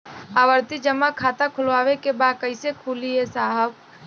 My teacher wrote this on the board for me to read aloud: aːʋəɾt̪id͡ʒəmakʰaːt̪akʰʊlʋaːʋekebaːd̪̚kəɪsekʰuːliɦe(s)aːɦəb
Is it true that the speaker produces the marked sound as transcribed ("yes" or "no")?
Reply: yes